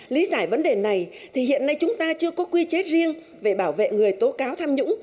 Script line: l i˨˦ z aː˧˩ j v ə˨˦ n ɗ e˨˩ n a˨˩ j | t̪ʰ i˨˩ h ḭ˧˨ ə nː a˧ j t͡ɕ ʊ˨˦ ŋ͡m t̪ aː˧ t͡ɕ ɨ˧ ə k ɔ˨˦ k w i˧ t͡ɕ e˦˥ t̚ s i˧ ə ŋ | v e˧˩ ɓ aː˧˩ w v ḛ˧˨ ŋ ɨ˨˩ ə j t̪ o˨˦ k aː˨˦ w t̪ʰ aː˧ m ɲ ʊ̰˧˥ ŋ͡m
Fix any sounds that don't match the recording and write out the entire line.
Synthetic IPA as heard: l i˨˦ z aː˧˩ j v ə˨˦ n ɗ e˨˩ n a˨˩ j | t̪ʰ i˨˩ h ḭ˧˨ ə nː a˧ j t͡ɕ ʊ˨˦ ŋ͡m t̪ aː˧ t͡ɕ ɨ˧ ə k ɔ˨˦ k w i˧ t͡ɕ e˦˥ t̚ z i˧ ə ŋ | v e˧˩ ɓ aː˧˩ w v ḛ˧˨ ŋ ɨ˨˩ ə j t̪ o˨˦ k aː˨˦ w t̪ʰ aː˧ m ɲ ʊ̰˧˥ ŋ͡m